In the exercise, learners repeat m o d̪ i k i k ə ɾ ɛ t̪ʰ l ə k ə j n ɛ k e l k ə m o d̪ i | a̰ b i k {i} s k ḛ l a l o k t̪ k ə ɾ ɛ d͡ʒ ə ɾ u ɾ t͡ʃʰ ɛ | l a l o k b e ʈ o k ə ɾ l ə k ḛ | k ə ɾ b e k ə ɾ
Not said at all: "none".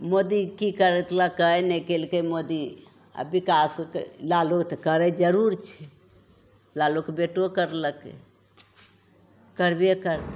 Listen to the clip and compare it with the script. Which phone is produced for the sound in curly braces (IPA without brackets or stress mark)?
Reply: a